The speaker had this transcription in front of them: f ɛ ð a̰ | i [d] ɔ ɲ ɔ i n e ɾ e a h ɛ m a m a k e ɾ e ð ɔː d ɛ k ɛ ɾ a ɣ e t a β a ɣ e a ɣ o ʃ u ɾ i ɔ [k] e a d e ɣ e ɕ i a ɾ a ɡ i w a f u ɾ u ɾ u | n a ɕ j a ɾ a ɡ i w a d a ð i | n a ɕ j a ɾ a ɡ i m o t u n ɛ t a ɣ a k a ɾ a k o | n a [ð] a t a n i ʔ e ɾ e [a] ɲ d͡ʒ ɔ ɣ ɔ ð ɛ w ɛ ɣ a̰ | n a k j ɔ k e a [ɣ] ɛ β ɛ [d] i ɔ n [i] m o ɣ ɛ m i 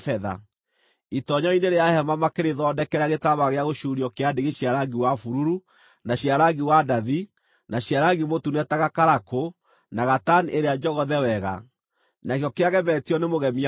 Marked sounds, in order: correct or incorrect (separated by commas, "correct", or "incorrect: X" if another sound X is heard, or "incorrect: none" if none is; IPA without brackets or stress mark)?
incorrect: t, correct, incorrect: ɣ, correct, correct, incorrect: t, incorrect: e